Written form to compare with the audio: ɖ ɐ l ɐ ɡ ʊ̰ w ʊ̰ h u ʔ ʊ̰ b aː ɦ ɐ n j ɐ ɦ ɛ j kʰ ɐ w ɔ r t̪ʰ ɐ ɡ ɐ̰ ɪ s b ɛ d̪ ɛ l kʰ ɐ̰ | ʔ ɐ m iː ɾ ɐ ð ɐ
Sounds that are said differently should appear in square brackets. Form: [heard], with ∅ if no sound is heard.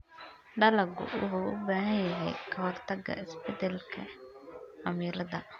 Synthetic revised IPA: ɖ ɐ l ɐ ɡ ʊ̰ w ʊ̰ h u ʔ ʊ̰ b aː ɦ ɐ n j ɐ ɦ ɛ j kʰ ɐ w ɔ r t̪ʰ ɐ ɡ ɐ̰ ɪ s b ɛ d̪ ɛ l kʰ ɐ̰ | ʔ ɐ m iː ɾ ɐ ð ɐ